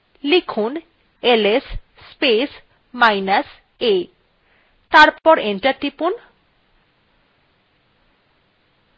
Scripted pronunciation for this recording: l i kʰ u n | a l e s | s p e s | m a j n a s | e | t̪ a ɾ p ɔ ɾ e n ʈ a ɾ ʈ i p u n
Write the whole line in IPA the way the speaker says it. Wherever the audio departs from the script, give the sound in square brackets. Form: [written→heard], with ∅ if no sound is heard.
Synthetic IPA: l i kʰ u n | [a→e] l e s | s p e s | m a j n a s | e | t̪ a ɾ p ɔ ɾ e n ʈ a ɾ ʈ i p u n